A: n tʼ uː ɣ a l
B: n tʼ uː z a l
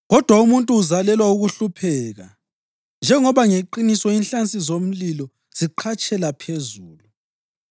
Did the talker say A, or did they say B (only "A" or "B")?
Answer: B